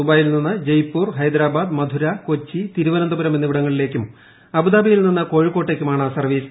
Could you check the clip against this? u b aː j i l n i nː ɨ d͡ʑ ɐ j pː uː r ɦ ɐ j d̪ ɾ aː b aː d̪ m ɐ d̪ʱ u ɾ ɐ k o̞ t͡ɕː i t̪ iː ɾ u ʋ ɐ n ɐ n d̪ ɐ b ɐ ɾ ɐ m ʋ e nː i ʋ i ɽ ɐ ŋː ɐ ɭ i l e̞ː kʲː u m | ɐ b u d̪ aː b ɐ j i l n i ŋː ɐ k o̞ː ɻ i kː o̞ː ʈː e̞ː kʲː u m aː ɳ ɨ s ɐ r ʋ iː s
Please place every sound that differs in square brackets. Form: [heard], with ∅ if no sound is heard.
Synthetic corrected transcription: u b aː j i l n i nː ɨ d͡ʑ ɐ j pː uː r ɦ ɐ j d̪ ɾ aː b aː d̪ m ɐ d̪ʱ u ɾ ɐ k o̞ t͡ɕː i t̪ [i] ɾ u ʋ ɐ n ɐ n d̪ ɐ b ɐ ɾ ɐ m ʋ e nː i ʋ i ɽ ɐ ŋː ɐ ɭ i l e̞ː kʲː u m | ɐ b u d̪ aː b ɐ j i l n i [nː] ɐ k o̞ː ɻ i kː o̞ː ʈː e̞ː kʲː u m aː ɳ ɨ s ɐ r ʋ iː s

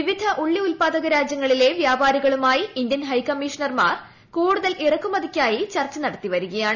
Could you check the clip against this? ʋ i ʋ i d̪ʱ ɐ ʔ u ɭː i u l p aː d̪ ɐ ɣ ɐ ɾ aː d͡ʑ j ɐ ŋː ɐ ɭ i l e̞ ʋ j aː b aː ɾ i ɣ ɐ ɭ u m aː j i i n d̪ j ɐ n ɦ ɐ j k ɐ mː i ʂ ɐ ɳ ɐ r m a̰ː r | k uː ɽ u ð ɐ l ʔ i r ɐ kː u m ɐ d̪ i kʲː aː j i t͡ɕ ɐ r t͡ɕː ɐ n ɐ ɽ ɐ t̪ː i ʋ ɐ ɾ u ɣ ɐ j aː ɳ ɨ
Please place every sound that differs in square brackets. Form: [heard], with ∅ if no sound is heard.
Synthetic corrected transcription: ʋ i ʋ i d̪ʱ ɐ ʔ u ɭː i u l p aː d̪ ɐ ɣ ɐ ɾ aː d͡ʑ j ɐ ŋː ɐ ɭ i l e̞ ʋ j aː b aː ɾ i ɣ ɐ ɭ u m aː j i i n d̪ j ɐ n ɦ ɐ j k ɐ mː i ʂ ɐ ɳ ɐ r m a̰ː r | k uː ɽ u ð ɐ l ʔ i r ɐ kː u m ɐ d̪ i kʲː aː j i t͡ɕ ɐ r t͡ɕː ɐ n ɐ ɽ ɐ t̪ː i ʋ ɐ ɾ u ɣ ɐ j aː ɳ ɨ

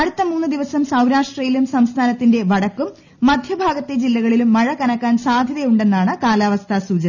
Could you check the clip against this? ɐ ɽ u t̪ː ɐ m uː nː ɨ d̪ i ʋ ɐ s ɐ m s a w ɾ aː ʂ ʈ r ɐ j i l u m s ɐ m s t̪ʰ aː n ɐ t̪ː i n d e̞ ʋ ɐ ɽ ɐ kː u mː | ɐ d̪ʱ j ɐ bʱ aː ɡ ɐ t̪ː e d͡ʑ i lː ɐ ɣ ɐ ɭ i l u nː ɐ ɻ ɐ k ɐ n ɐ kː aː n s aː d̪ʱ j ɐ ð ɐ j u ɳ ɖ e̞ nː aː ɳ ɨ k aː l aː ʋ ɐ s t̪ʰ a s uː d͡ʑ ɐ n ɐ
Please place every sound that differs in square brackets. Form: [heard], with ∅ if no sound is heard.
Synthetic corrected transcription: ɐ ɽ u t̪ː ɐ m uː nː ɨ d̪ i ʋ ɐ s ɐ m s [ɐ] w ɾ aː ʂ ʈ r ɐ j i l u m s ɐ m s t̪ʰ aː n ɐ t̪ː i n d e̞ ʋ ɐ ɽ ɐ kː u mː | ɐ d̪ʱ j ɐ bʱ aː ɡ ɐ t̪ː e d͡ʑ i lː ɐ ɣ ɐ ɭ i l u [mː] ɐ ɻ ɐ k ɐ n ɐ kː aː n s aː d̪ʱ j ɐ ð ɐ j u ɳ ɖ e̞ nː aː ɳ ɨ k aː l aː ʋ ɐ s t̪ʰ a s uː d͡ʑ ɐ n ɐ

